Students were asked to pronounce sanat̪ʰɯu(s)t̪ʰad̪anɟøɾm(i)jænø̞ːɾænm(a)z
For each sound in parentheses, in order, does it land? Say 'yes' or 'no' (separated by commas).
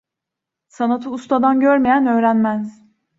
yes, no, no